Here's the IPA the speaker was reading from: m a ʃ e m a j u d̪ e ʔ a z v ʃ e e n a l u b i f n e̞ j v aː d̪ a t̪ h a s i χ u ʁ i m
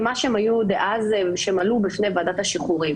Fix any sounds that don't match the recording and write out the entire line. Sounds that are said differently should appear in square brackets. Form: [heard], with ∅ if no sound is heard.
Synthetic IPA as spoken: m a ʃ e m a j u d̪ e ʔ a z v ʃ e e [m] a l u b i f n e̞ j v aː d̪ a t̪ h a [ʃ] i χ u ʁ i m